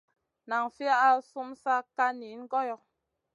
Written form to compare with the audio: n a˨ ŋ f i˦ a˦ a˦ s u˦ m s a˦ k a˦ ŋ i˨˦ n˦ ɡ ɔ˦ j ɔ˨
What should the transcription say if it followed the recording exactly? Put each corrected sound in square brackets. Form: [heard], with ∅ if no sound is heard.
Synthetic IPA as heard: n a˨ ŋ f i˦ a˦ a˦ s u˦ m s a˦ k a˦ [n] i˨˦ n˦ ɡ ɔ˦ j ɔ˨